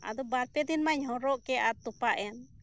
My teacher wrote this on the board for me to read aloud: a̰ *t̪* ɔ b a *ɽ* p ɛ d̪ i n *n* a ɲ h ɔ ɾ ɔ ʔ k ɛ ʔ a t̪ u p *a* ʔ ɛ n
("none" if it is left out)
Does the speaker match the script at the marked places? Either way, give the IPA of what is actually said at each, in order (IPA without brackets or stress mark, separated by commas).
d̪, ɾ, m, a